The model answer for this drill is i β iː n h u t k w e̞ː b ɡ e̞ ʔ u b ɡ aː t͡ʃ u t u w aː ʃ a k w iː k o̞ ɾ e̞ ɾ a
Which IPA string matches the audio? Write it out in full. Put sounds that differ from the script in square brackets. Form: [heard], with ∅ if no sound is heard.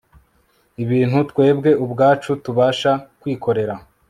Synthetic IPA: i β iː n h u t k w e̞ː b ɡ e̞ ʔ u b ɡ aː t͡ʃ u t u [β] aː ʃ a k w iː k o̞ ɾ e̞ ɾ a